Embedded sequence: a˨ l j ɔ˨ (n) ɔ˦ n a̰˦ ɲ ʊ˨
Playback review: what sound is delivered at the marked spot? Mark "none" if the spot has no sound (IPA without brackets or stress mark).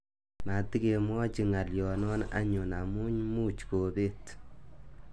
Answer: n